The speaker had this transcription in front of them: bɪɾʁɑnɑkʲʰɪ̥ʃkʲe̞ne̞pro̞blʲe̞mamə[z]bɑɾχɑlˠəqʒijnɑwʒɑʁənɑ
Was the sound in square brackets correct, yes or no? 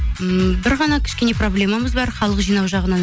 yes